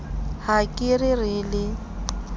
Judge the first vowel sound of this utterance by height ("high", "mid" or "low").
low